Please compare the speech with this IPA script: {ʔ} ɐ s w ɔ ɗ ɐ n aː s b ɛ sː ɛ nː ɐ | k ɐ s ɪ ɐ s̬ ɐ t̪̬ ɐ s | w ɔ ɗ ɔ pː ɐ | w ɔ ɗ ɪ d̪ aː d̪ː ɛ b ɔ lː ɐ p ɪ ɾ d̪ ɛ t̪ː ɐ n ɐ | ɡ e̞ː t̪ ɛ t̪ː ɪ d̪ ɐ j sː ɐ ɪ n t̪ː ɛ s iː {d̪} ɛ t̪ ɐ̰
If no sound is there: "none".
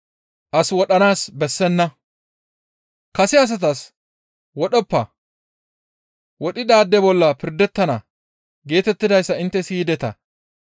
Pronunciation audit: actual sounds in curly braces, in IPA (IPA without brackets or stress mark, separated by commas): ʔ, d̪